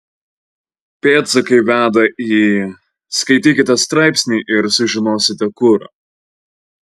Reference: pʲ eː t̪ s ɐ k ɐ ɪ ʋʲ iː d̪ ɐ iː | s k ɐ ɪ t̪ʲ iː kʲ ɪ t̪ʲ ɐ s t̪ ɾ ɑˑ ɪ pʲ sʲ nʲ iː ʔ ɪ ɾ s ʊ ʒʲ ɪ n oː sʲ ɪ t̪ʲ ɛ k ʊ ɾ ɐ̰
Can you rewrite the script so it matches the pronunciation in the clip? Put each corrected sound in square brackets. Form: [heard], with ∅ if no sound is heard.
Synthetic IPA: pʲ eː t̪ s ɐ k ɐ ɪ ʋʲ [æː] d̪ ɐ iː | s k ɐ ɪ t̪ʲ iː kʲ ɪ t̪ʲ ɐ s t̪ ɾ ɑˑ ɪ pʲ sʲ nʲ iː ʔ ɪ ɾ s ʊ ʒʲ ɪ n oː sʲ ɪ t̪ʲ ɛ k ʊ ɾ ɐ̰